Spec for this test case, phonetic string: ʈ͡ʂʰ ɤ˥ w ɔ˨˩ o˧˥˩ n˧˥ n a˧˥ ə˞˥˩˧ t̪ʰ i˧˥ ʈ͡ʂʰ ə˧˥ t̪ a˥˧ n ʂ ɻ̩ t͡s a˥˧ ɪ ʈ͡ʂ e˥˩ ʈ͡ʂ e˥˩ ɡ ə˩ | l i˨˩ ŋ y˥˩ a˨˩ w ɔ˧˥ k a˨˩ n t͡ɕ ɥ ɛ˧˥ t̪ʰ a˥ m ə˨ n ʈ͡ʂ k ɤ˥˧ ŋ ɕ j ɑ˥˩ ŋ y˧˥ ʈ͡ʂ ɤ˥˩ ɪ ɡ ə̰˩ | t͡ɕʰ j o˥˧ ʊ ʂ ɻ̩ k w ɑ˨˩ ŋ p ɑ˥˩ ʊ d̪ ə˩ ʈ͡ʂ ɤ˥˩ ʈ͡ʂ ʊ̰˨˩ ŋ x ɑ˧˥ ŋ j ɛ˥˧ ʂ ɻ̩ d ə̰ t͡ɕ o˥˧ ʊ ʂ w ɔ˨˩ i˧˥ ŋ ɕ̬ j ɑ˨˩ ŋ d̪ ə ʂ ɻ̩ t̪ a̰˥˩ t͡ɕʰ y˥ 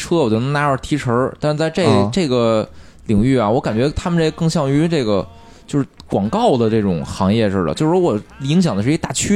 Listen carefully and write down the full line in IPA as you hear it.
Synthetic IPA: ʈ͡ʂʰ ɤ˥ w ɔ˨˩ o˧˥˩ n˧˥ n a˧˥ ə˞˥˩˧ t̪ʰ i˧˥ ʈ͡ʂʰ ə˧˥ t̪ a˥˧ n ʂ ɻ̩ t͡s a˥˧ ɪ ʈ͡ʂ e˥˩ ʈ͡ʂ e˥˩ ɡ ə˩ | l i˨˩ ŋ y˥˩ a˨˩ w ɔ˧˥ k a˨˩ n t͡ɕ ɥ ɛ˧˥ t̪ʰ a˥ m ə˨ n ʈ͡ʂ k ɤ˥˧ ŋ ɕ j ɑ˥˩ ŋ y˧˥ ʈ͡ʂ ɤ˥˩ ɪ ɡ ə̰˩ | t͡ɕ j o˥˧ ʊ ʂ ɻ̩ k w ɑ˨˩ ŋ k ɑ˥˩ ʊ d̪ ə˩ ʈ͡ʂ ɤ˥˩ ʈ͡ʂ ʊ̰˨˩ ŋ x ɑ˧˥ ŋ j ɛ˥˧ ʂ ɻ̩ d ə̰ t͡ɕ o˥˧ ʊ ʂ w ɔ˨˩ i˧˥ ŋ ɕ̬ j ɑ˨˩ ŋ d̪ ə ʂ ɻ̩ t̪ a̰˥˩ t͡ɕʰ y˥